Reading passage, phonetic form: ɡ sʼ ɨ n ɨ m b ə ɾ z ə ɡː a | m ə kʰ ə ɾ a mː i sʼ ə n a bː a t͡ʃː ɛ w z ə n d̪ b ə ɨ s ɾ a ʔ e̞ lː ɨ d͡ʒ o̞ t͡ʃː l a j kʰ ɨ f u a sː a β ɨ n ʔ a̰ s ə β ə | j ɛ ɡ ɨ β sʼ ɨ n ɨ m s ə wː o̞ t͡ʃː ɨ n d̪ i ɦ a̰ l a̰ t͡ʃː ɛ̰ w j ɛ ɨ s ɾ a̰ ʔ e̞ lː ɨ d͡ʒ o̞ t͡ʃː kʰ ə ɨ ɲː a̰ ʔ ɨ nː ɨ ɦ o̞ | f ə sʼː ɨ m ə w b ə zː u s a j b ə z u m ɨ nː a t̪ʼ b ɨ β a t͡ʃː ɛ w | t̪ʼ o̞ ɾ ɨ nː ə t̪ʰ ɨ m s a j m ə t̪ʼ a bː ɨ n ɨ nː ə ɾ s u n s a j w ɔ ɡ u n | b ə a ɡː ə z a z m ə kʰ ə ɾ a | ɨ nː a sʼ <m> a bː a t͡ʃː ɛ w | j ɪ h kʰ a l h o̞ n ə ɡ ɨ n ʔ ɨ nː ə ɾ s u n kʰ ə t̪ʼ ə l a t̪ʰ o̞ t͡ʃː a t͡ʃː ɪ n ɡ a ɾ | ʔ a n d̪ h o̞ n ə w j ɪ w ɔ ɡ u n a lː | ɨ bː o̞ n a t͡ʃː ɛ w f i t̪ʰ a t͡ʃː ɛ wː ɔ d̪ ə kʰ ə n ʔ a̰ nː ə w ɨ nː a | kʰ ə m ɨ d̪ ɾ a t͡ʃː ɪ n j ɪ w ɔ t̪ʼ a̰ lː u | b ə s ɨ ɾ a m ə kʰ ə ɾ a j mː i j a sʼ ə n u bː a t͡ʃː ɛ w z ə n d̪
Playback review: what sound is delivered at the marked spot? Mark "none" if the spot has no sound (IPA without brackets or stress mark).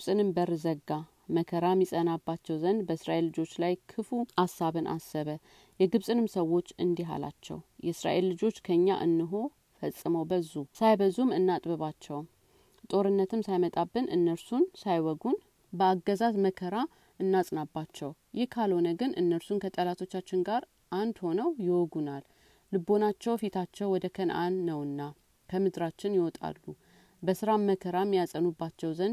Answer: n